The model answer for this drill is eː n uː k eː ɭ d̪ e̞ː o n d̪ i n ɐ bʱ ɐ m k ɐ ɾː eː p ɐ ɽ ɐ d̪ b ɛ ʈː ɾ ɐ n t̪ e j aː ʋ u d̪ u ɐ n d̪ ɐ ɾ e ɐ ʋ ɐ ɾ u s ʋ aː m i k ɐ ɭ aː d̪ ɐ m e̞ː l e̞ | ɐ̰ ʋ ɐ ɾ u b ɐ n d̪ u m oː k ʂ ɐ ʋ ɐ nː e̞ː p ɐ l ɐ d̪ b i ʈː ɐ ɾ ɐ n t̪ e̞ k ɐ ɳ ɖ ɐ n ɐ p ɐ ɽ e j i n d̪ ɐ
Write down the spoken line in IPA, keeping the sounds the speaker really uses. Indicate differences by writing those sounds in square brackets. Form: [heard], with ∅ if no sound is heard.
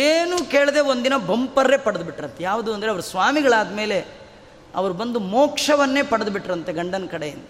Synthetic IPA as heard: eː n uː k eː ɭ d̪ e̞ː o n d̪ i n ɐ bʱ ɐ m [p] ɐ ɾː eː p ɐ ɽ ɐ d̪ b [i] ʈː ɾ ɐ n t̪ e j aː ʋ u d̪ u ɐ n d̪ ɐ ɾ e ɐ ʋ ɐ ɾ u s ʋ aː m i [ɡ] ɐ ɭ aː d̪ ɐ m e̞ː l e̞ | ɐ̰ ʋ ɐ ɾ u b ɐ n d̪ u m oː k ʂ ɐ ʋ ɐ nː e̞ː p ɐ [ɽ] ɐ d̪ b i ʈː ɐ ɾ ɐ n t̪ e̞ [ɡ] ɐ ɳ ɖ ɐ n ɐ [k] ɐ ɽ e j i n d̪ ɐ